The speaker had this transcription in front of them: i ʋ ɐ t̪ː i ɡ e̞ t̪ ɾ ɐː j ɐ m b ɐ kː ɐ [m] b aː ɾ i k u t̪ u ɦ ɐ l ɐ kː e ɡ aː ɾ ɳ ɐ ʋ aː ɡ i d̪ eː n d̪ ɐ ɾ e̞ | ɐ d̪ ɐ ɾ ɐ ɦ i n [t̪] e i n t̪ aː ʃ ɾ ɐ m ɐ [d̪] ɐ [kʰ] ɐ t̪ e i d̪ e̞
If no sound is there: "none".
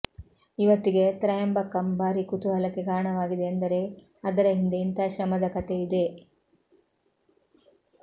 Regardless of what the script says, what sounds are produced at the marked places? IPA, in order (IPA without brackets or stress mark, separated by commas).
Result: m, d̪, d̪, k